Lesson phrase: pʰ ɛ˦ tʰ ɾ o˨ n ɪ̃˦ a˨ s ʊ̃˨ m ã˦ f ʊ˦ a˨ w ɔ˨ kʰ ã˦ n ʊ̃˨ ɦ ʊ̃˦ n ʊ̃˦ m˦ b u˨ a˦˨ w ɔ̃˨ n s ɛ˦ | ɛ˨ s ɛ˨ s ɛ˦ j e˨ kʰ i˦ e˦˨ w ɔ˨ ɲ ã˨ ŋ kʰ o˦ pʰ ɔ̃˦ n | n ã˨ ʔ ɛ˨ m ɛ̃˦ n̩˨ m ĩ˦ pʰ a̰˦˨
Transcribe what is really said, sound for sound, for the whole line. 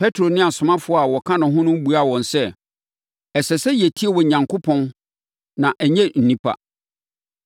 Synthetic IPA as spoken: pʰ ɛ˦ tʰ ɾ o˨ n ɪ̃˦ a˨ s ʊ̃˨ m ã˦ f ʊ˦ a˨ w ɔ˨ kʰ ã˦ n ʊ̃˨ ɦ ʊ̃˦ n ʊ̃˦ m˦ b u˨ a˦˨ w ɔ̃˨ n s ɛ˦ | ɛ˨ s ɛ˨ s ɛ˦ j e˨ tʰ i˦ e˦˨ w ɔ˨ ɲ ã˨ ŋ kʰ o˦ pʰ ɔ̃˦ n | n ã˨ ʔ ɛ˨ ɲ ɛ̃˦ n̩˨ n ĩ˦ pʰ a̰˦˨